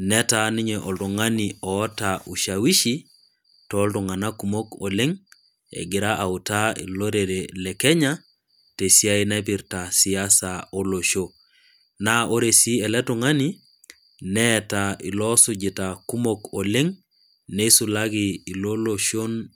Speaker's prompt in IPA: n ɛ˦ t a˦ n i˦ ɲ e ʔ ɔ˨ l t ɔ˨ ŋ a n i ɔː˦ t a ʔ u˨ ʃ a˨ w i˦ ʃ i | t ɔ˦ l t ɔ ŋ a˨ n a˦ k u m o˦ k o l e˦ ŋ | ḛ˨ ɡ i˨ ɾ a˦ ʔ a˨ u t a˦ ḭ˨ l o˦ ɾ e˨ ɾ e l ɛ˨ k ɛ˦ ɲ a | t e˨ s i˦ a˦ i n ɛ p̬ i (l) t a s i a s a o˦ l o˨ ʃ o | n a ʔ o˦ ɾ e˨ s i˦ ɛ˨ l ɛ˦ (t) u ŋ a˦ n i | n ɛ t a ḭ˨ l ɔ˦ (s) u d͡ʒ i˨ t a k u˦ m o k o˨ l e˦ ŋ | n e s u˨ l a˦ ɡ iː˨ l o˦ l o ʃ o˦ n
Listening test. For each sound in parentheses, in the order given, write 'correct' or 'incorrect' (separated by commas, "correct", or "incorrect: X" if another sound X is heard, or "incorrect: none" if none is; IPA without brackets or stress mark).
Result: incorrect: ɾ, correct, correct